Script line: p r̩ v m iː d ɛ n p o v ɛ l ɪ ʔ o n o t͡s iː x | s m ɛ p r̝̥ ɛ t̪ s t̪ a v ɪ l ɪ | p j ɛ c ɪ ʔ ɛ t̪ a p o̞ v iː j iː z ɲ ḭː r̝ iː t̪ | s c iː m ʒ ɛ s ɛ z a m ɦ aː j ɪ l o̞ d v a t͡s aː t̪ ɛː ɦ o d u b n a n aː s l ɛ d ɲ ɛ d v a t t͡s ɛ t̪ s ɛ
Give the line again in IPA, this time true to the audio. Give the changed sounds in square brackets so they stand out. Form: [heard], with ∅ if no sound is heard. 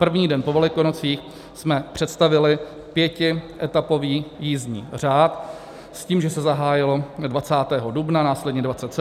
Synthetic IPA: p r̩ v [ɲ] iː d ɛ n p o v ɛ l ɪ [k] o n o t͡s iː x | s m ɛ p r̝̥ ɛ t̪ s t̪ a v ɪ l ɪ | p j ɛ c ɪ ʔ ɛ t̪ a p o̞ v iː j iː z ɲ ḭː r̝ [aː] t̪ | s c iː m ʒ ɛ s ɛ z a [∅] ɦ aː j ɪ l o̞ d v a t͡s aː t̪ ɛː ɦ o d u b n a n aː s l ɛ d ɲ ɛ d v a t t͡s ɛ t̪ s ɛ